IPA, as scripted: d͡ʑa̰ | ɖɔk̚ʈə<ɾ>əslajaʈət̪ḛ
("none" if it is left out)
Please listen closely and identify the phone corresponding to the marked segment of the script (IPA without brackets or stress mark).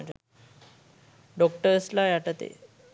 ɾ